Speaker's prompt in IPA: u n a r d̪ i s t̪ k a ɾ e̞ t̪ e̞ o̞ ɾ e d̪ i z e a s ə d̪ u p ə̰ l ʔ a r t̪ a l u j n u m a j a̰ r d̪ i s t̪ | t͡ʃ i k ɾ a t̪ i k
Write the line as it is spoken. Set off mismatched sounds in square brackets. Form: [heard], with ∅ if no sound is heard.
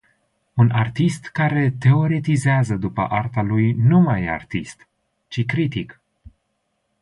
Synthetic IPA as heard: u n a r [t̪] i s t̪ k a ɾ e̞ t̪ e̞ o̞ ɾ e [t̪] i z e a [z] ə d̪ u p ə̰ [∅] ʔ a r t̪ a l u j n u m a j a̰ r [t̪] i s t̪ | t͡ʃ i k ɾ [i] t̪ i k